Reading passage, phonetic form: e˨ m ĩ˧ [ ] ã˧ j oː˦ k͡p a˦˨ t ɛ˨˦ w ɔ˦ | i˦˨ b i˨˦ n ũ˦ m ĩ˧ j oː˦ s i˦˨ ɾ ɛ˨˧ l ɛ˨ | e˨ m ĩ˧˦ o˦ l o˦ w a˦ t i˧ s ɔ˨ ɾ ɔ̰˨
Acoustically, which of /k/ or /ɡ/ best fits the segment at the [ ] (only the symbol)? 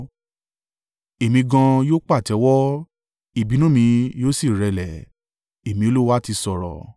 ɡ